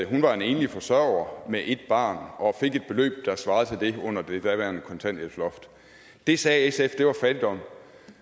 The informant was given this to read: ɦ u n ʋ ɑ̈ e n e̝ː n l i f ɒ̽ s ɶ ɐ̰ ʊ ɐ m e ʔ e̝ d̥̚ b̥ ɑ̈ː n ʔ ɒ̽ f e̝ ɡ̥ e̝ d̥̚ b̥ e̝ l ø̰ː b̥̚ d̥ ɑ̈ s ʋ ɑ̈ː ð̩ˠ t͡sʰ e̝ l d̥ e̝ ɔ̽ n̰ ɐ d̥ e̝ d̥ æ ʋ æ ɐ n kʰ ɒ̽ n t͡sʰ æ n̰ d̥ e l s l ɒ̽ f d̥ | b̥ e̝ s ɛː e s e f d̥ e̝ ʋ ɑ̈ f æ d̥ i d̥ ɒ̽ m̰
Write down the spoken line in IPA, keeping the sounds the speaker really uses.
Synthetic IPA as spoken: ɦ u n ʋ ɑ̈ e n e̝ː n l i f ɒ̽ s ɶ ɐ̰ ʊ ɐ m e ʔ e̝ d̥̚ b̥ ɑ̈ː n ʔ ɒ̽ f e̝ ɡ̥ e̝ d̥̚ b̥ e̝ l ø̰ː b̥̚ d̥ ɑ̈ s ʋ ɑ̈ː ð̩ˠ t͡sʰ e̝ l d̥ e̝ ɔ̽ n̰ ɐ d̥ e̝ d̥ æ ʋ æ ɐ n kʰ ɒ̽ n t͡sʰ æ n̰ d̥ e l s l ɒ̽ f d̥ | d̥ e̝ s ɛː e s e f d̥ e̝ ʋ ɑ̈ f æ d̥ i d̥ ɒ̽ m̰